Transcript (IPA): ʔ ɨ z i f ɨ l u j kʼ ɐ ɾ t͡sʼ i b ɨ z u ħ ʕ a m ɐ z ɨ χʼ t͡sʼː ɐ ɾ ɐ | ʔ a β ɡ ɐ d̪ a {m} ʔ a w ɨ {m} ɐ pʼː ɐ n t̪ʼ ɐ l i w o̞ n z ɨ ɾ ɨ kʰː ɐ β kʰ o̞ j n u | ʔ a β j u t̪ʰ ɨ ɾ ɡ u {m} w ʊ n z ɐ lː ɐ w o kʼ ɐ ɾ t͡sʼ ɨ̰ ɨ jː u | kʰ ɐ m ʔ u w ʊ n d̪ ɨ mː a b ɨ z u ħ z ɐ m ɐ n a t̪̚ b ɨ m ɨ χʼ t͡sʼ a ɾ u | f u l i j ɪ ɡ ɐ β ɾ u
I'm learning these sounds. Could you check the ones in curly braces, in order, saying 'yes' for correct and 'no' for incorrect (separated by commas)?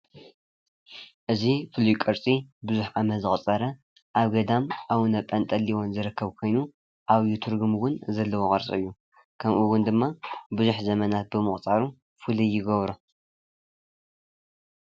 yes, no, yes